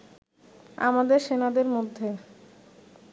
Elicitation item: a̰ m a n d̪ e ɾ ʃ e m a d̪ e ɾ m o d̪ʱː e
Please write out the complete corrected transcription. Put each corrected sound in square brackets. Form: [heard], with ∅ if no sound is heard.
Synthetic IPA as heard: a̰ m a [∅] d̪ e ɾ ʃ e [n] a d̪ e ɾ m o d̪ʱː e